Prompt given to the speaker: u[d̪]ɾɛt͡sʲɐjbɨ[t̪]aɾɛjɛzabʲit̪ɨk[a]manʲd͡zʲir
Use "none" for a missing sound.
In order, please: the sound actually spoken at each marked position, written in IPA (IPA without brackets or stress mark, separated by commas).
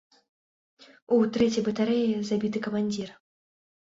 t̪, t̪, ɐ